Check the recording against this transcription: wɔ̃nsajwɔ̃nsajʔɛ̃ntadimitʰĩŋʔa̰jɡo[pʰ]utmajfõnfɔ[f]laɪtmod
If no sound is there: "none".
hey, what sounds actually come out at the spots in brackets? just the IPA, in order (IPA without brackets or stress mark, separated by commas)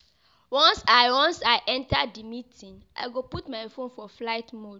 p, f